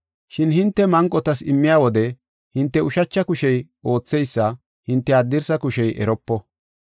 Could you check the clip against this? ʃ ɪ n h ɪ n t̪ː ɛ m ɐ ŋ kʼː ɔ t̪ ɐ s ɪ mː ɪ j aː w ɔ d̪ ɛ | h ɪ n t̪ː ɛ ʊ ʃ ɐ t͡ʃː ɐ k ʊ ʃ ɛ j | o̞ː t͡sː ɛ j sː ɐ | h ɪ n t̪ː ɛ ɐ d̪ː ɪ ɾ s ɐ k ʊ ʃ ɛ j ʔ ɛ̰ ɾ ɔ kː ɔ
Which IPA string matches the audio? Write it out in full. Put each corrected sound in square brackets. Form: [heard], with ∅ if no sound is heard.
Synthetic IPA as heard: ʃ ɪ n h ɪ n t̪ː ɛ m ɐ ŋ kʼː ɔ t̪ ɐ s ɪ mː ɪ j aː w ɔ d̪ ɛ | h ɪ n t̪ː ɛ ʊ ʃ ɐ t͡ʃː ɐ k ʊ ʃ ɛ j | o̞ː t͡sː ɛ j sː ɐ | h ɪ n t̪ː ɛ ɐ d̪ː ɪ ɾ s ɐ k ʊ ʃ ɛ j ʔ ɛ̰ ɾ ɔ [pː] ɔ